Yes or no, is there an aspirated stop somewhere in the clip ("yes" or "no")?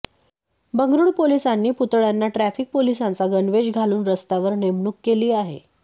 no